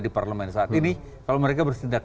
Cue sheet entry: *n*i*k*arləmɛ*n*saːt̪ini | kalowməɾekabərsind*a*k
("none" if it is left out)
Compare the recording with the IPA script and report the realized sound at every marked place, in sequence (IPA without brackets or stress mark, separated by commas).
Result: d, p, n, a